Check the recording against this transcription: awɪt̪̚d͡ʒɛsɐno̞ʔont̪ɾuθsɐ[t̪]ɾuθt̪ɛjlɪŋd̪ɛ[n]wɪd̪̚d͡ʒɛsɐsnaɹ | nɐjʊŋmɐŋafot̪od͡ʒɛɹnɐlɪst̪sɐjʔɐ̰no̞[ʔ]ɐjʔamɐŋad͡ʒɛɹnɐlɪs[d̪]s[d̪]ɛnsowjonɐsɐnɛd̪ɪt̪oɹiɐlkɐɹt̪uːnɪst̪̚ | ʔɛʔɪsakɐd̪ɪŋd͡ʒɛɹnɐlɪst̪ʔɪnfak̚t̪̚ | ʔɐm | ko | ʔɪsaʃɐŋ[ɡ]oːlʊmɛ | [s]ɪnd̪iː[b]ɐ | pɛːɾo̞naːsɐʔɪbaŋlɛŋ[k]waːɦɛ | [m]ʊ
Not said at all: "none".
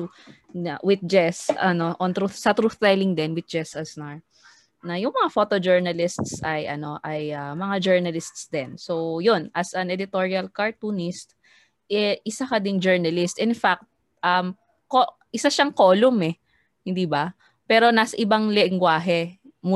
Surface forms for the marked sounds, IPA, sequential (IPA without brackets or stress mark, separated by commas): t̪, n, ʔ, t̪, d̪, k, h, b, ɡ, m